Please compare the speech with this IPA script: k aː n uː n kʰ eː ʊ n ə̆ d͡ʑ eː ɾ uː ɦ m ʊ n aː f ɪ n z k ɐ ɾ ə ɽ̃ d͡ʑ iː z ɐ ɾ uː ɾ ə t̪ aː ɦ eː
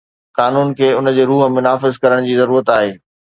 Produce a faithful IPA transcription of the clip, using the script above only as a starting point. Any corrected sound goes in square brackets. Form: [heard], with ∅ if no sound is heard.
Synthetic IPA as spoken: k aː n uː n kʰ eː ʊ n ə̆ d͡ʑ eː ɾ uː ɦ m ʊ n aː f ɪ [∅] z k ɐ ɾ ə ɽ̃ d͡ʑ iː z ɐ ɾ uː ɾ ə t̪ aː ɦ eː